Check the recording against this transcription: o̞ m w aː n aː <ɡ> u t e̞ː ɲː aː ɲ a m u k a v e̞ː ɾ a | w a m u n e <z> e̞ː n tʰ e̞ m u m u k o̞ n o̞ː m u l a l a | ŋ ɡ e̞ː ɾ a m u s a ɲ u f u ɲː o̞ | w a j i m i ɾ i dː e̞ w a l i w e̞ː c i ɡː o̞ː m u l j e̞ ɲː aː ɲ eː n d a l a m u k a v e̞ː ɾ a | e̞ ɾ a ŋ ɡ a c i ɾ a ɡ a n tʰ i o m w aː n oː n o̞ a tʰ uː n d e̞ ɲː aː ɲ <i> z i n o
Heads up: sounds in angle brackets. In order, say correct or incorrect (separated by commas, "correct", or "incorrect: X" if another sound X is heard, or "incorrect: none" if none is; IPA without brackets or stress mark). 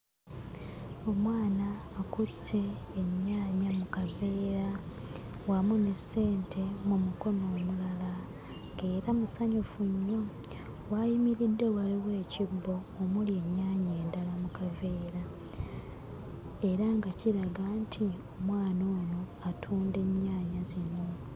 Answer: incorrect: k, incorrect: s, incorrect: a